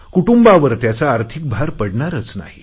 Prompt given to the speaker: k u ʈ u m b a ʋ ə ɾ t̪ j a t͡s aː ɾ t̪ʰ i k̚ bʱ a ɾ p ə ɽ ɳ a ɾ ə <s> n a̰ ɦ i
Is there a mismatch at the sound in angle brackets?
yes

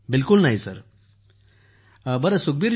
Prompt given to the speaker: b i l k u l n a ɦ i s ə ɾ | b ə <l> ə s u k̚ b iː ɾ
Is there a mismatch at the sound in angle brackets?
yes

